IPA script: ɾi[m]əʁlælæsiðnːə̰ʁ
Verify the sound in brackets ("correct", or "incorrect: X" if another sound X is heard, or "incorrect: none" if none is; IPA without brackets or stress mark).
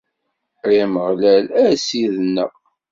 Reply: correct